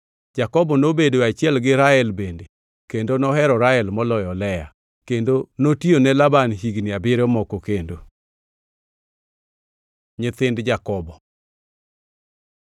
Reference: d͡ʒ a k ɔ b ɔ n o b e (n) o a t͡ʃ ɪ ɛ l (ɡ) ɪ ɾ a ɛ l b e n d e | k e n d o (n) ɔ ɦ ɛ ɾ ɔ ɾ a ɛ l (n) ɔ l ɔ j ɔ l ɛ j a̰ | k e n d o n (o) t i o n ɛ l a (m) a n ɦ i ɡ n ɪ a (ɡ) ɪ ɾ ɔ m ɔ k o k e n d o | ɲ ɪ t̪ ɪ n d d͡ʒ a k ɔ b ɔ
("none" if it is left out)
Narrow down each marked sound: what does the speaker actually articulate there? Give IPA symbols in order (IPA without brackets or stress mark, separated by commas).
d, ɡ, n, m, o, b, b